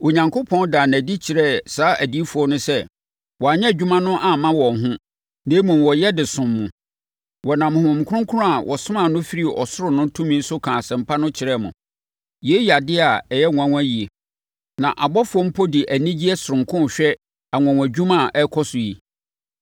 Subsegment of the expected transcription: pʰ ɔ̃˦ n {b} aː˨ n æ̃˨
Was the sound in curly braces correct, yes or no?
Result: no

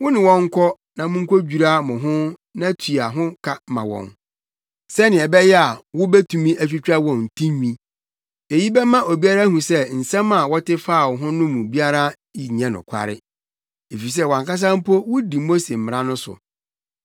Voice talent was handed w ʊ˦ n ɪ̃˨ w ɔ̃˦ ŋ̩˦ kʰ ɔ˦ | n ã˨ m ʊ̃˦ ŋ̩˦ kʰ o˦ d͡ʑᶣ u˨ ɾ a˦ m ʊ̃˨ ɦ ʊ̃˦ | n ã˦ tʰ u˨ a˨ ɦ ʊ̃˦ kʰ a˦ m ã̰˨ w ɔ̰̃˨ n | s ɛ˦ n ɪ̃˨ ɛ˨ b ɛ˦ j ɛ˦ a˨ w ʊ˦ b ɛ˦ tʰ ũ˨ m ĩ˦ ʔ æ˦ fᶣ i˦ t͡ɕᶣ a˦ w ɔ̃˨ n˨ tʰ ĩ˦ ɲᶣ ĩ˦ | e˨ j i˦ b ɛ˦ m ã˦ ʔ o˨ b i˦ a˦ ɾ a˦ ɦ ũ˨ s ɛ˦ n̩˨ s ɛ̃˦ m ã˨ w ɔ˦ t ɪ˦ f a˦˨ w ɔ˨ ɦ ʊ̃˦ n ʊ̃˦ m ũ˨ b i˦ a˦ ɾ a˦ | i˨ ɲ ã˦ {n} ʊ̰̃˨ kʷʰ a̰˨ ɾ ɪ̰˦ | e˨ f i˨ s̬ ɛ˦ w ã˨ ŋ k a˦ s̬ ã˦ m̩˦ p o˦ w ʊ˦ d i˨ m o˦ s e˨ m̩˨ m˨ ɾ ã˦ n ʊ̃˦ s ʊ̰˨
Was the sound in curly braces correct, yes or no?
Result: yes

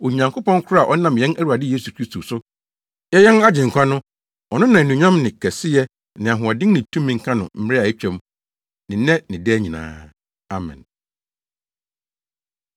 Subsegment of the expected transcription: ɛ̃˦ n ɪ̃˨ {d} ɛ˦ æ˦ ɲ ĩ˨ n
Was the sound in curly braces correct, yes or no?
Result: yes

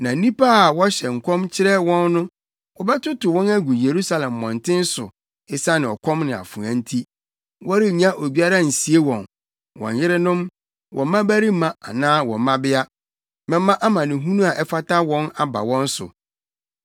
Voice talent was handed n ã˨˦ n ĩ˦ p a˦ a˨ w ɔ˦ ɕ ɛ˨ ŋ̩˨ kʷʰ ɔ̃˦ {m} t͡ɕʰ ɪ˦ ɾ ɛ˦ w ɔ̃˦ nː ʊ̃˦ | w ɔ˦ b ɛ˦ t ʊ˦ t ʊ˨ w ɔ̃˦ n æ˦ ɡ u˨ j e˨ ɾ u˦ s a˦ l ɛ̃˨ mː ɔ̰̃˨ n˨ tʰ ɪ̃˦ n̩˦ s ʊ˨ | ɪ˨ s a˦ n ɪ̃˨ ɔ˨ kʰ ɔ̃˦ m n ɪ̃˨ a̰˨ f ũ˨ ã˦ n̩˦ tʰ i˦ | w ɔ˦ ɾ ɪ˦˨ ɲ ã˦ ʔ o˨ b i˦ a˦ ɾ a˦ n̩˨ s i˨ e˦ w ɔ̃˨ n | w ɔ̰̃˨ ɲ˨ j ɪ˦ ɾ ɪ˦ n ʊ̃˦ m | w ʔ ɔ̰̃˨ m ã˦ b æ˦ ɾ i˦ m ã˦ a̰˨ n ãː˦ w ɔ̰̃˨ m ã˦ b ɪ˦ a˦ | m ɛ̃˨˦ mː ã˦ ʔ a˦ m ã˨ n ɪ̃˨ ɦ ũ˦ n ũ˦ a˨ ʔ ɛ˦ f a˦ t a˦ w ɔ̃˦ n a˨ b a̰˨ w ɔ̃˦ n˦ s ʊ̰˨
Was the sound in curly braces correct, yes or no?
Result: yes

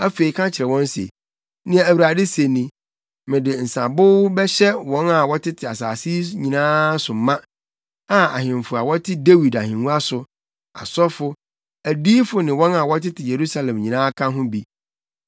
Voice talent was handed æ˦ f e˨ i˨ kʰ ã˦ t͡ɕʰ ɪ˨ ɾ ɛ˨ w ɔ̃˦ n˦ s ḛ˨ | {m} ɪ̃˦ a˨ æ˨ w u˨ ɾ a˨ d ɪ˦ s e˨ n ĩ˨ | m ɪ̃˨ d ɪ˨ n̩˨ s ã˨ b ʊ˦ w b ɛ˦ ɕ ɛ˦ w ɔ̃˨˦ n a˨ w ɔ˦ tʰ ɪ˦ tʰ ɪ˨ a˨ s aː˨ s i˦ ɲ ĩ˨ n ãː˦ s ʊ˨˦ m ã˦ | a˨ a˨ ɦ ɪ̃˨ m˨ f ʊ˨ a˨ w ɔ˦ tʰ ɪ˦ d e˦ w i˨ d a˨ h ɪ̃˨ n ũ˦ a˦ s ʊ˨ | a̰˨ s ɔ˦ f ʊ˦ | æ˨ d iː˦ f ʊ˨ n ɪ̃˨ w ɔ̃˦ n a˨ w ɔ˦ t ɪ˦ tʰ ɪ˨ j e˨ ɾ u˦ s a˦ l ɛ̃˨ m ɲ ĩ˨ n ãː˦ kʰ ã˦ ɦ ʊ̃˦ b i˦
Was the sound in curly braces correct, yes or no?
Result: no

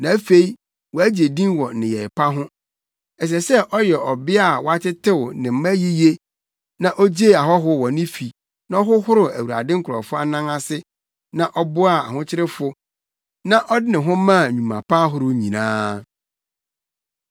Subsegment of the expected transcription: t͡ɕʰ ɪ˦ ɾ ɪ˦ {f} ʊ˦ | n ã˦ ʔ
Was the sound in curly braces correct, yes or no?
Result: yes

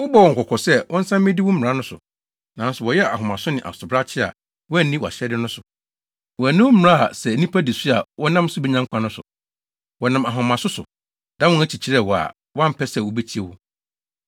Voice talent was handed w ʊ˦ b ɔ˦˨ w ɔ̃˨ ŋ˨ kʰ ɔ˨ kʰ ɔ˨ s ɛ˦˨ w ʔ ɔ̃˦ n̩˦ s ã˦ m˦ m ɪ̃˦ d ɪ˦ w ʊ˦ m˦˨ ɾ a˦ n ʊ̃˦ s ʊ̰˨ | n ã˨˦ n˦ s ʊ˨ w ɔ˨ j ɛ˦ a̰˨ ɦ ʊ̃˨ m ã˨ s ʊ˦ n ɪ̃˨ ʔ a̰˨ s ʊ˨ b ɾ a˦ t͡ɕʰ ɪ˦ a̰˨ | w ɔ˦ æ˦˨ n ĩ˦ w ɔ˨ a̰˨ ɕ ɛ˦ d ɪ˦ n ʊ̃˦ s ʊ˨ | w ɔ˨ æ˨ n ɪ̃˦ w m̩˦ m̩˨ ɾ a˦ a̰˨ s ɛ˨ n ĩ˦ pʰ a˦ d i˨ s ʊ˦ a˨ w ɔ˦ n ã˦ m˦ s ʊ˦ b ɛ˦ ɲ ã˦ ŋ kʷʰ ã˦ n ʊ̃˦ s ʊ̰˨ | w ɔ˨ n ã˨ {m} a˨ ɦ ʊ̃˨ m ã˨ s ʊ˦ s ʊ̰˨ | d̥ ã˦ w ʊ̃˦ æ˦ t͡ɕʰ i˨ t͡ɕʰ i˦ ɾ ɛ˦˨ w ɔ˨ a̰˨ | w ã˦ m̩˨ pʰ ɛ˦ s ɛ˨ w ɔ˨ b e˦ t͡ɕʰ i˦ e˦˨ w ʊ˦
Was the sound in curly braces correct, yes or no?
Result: yes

